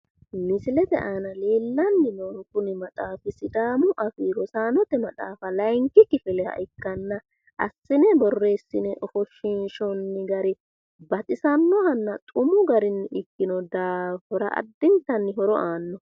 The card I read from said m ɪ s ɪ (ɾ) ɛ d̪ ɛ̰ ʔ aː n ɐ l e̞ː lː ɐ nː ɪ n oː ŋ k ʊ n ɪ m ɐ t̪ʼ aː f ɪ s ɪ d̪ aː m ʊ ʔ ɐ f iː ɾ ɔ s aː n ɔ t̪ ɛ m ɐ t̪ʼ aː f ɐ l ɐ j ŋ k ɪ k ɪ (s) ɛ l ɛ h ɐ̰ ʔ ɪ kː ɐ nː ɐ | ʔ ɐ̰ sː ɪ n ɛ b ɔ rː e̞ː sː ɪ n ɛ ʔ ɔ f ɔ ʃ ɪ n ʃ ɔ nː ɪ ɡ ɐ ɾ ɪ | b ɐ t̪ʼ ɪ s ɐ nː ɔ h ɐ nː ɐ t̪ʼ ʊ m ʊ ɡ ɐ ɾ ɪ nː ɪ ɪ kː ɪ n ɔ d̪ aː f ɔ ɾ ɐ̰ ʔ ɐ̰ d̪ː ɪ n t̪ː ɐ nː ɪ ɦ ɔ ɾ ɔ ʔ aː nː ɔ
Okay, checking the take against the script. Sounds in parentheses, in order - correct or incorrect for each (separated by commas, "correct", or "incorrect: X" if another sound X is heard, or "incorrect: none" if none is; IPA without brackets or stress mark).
incorrect: l, incorrect: f